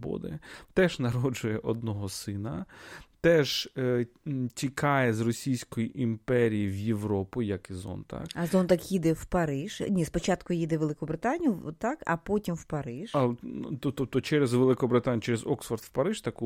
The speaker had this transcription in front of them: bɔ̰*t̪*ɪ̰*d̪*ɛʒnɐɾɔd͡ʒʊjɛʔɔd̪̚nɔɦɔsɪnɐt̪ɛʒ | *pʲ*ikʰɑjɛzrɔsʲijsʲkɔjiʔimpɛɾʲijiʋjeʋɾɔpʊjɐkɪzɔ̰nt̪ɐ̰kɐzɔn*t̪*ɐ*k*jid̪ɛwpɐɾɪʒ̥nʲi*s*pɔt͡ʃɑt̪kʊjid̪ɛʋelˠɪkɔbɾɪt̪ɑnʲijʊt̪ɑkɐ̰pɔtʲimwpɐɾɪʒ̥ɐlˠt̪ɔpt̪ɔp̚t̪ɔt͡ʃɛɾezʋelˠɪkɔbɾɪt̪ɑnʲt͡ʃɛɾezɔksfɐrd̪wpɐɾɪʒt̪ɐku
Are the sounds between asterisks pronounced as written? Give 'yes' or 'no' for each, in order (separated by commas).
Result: no, no, no, yes, yes, yes